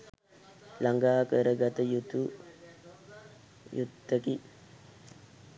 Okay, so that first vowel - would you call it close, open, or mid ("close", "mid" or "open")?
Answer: open